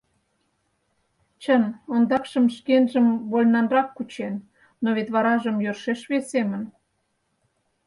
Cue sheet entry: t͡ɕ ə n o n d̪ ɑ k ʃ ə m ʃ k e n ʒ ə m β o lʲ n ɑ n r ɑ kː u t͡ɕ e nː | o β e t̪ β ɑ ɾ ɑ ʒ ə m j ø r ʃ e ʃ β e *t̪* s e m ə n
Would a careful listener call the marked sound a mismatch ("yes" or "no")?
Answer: yes